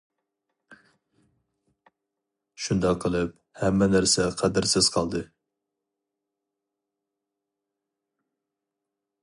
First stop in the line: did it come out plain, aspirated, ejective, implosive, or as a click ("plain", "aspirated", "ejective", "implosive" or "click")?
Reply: plain